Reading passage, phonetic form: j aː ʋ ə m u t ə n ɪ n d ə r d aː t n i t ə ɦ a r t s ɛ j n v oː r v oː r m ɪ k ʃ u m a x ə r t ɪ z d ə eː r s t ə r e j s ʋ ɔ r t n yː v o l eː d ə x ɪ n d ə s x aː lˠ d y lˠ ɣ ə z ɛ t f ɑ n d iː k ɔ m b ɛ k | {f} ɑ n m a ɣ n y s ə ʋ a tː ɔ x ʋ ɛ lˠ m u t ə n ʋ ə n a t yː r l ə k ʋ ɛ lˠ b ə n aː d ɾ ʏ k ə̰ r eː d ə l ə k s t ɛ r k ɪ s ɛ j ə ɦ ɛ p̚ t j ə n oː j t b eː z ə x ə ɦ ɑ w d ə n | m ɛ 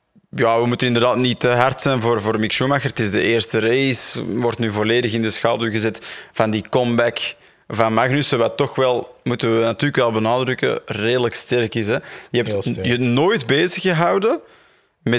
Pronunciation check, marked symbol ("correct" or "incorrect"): incorrect